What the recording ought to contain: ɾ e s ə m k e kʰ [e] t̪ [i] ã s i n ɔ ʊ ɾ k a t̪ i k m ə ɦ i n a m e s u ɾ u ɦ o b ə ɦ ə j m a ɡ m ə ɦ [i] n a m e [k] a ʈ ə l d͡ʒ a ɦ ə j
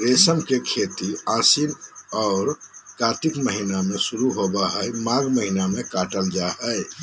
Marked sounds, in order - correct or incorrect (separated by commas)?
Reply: correct, correct, correct, correct